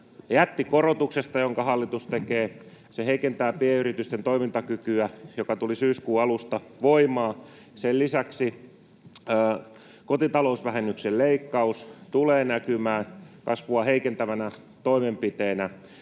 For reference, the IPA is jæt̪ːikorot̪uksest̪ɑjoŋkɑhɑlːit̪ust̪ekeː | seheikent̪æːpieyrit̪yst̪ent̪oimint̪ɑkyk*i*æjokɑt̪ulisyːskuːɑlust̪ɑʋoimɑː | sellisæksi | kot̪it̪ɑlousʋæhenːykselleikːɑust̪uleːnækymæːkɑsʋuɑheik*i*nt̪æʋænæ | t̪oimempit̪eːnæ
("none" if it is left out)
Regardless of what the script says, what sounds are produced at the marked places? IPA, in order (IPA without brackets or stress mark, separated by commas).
y, e